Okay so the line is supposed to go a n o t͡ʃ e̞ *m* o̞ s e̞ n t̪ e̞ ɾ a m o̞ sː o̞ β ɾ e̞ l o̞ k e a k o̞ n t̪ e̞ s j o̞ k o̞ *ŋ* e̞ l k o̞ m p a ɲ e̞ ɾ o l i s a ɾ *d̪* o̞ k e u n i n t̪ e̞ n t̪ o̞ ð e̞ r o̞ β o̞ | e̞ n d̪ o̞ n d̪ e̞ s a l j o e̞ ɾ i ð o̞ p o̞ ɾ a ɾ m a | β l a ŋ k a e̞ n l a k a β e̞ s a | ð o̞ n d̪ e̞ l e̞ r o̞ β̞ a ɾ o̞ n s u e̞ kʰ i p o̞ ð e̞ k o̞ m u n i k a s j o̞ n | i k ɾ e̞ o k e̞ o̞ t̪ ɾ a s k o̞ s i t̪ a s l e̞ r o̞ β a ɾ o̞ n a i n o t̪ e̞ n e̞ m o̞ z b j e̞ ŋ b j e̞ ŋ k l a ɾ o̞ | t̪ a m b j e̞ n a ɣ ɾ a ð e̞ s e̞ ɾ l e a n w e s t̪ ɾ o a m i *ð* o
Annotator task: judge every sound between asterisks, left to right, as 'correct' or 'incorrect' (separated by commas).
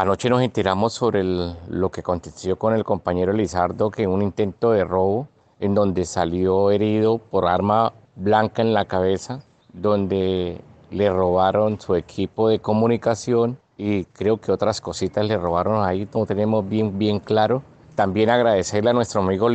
incorrect, incorrect, correct, incorrect